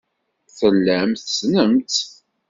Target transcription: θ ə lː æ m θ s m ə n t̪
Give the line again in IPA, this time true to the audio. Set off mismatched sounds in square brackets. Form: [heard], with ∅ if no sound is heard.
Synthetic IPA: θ ə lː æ m θ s [n] ə [m] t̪